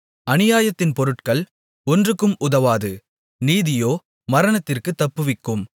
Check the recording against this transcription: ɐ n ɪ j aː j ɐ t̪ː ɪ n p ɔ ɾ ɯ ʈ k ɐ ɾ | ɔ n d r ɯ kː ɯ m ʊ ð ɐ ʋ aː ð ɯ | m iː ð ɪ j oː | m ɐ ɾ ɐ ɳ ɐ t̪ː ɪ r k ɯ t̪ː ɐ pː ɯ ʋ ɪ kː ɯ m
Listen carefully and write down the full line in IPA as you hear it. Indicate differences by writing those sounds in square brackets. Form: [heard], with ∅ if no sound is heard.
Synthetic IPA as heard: ɐ n ɪ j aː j ɐ t̪ː ɪ n p ɔ ɾ ɯ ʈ k ɐ [ɭ] | ɔ n d r ɯ kː ɯ m ʊ ð ɐ ʋ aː ð ɯ | [n] iː ð ɪ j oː | m ɐ ɾ ɐ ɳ ɐ t̪ː ɪ r k ɯ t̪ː ɐ pː ɯ ʋ ɪ kː ɯ m